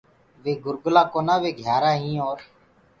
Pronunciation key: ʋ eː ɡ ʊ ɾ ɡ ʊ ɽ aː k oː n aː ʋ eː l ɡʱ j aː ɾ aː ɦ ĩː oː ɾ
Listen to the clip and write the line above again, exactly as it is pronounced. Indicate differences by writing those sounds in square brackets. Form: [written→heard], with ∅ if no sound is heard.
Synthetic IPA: ʋ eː ɡ ʊ ɾ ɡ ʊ [ɽ→l] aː k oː n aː ʋ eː [l→∅] ɡʱ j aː ɾ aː ɦ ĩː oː ɾ